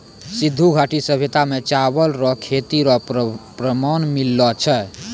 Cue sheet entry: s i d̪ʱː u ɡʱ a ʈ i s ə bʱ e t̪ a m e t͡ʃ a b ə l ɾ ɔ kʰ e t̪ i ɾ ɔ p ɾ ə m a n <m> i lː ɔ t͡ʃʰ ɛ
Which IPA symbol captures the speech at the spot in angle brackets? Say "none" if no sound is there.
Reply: m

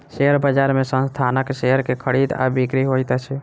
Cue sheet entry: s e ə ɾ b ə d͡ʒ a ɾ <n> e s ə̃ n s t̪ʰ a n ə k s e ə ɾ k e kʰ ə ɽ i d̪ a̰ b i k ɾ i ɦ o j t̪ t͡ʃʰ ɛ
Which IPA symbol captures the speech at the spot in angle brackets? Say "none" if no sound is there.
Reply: m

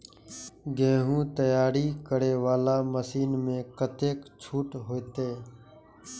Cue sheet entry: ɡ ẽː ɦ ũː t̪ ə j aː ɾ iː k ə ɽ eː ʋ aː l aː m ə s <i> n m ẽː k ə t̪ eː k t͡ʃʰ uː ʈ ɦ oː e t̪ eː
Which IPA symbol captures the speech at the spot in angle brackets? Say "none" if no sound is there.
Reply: iː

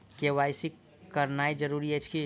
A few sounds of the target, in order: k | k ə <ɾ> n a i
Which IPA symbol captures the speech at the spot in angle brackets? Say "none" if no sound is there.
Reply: ɾ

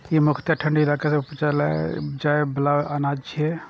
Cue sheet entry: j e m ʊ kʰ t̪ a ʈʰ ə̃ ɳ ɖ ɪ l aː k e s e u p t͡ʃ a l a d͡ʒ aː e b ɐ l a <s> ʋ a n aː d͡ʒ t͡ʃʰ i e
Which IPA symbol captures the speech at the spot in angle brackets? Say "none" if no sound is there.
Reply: none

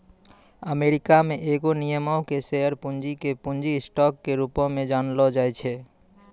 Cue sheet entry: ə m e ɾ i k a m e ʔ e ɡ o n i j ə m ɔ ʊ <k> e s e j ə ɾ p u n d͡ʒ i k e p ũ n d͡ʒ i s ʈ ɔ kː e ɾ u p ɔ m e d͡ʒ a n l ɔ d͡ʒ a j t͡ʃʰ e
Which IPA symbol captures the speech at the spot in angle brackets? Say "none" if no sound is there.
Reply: k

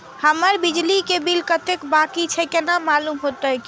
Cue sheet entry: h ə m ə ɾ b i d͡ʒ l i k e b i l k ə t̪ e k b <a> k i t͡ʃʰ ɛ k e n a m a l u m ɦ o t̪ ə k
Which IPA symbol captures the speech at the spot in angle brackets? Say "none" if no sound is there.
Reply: a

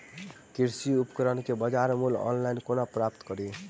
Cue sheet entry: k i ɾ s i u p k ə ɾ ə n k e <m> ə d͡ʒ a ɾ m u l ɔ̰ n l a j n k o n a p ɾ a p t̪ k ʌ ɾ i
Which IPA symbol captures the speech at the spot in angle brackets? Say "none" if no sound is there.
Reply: b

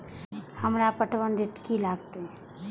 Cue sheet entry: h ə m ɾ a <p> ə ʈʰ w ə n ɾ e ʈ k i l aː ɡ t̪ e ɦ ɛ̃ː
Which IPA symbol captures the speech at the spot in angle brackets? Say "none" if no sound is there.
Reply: p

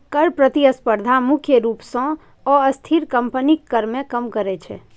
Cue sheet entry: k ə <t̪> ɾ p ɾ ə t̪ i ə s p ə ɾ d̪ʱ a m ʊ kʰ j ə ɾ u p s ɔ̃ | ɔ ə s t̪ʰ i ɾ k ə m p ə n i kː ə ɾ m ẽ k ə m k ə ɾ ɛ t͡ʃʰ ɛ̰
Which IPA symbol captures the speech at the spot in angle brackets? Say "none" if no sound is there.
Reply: none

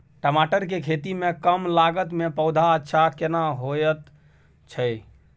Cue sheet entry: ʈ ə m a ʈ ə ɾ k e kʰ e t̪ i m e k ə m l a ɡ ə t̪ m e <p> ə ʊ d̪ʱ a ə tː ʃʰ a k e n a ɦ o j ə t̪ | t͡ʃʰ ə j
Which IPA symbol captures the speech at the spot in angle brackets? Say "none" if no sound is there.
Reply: p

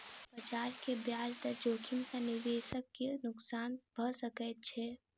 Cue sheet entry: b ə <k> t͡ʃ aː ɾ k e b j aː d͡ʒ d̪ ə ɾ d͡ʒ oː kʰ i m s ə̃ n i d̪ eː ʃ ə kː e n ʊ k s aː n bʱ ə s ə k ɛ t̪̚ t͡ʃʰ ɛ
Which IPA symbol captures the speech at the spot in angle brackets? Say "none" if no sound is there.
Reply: none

